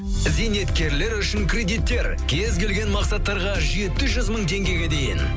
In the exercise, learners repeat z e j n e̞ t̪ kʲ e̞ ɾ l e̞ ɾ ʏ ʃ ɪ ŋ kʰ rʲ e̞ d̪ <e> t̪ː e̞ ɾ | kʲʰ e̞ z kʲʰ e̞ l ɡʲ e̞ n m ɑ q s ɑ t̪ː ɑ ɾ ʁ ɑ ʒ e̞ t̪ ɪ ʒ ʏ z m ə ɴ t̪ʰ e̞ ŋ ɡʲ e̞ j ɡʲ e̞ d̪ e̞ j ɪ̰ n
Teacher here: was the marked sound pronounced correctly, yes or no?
no